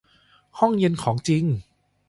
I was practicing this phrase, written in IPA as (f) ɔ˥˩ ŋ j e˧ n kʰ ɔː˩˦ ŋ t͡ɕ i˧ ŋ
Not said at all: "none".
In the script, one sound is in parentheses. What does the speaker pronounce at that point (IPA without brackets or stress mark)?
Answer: h